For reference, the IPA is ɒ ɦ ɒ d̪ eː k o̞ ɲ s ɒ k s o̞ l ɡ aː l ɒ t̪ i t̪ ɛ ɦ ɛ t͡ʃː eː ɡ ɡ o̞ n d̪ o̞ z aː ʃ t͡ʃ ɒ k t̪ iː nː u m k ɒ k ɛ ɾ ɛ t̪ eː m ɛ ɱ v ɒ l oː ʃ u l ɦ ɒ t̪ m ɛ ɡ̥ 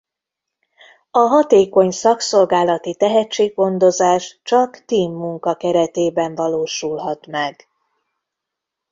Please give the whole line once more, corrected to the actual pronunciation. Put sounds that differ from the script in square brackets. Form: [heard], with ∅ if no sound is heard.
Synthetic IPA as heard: ɒ ɦ ɒ [t̪] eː k o̞ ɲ s ɒ k s o̞ l ɡ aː l ɒ t̪ i t̪ ɛ ɦ ɛ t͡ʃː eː ɡ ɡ o̞ n d̪ o̞ z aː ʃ t͡ʃ ɒ k t̪ iː [mː] u [ŋ] k ɒ k ɛ ɾ ɛ t̪ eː [b] ɛ ɱ v ɒ l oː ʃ u l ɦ ɒ t̪ m ɛ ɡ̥